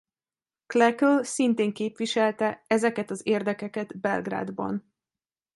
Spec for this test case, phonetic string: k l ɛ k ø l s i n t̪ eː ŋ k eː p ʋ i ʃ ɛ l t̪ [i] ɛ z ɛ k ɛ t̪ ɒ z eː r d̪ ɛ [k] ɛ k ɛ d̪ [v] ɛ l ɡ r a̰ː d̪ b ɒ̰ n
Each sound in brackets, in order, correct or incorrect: incorrect: ɛ, correct, incorrect: b

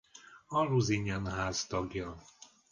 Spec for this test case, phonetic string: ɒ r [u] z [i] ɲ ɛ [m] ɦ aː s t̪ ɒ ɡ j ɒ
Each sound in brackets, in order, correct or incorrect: correct, correct, incorrect: n

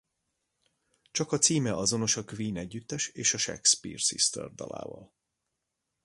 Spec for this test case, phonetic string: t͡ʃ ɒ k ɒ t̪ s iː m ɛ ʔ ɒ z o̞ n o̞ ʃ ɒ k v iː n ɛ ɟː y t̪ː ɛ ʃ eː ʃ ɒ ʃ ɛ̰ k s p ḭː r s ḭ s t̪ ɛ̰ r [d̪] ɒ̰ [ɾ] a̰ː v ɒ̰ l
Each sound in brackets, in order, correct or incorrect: correct, incorrect: l

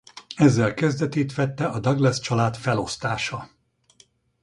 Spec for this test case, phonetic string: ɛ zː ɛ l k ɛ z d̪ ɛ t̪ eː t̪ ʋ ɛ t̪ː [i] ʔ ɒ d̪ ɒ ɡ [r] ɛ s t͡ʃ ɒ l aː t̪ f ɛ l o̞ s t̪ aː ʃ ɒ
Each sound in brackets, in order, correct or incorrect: incorrect: ɛ, incorrect: l

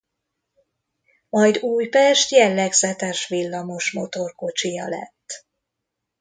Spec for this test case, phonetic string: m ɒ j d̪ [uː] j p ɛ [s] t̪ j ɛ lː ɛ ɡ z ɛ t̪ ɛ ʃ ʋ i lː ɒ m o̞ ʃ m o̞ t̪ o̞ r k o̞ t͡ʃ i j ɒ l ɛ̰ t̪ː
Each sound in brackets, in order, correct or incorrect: correct, incorrect: ʃ

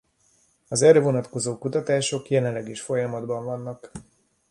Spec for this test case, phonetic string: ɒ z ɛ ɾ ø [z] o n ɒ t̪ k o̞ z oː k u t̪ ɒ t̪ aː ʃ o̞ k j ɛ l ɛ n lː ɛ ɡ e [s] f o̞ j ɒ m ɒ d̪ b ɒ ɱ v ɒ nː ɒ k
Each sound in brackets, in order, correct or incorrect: incorrect: v, incorrect: ʃ

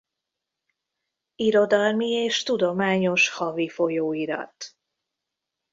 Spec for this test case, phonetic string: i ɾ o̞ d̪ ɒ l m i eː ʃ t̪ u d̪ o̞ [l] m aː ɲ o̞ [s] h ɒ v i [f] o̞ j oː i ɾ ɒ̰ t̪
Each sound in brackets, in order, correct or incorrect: incorrect: none, incorrect: ʃ, correct

